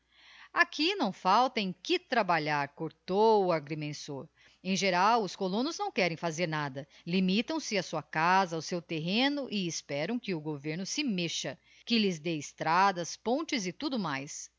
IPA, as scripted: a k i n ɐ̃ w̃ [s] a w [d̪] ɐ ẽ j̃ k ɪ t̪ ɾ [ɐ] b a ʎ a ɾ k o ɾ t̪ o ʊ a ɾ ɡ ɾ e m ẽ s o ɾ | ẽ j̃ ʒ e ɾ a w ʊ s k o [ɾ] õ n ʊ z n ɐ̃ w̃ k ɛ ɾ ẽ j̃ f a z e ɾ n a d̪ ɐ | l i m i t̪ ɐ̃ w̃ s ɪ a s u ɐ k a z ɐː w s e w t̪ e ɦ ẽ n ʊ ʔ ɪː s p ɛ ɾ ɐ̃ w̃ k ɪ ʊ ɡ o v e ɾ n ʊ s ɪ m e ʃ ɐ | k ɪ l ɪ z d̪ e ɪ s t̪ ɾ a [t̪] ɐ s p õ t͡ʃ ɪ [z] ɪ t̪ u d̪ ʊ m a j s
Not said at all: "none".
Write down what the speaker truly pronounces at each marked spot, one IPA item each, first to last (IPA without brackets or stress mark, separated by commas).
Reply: f, t̪, a, l, d̪, z